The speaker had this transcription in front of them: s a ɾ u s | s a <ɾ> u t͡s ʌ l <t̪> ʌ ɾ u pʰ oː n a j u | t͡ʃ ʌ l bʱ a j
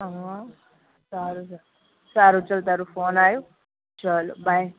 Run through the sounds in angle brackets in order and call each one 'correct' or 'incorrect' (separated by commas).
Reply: correct, correct